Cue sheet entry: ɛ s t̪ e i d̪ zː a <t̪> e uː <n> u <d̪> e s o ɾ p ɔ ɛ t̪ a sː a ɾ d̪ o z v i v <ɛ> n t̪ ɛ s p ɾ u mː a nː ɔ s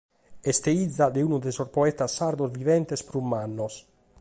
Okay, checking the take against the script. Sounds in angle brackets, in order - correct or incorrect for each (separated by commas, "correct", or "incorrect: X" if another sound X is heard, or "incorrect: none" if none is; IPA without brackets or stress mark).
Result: incorrect: d̪, correct, correct, correct